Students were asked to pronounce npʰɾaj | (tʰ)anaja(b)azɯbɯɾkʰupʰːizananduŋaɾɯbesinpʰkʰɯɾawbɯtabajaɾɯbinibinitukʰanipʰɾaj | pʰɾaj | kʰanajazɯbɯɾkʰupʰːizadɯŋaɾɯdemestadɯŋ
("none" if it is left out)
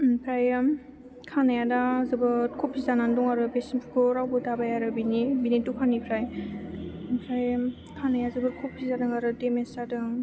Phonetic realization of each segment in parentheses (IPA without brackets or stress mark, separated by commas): kʰ, d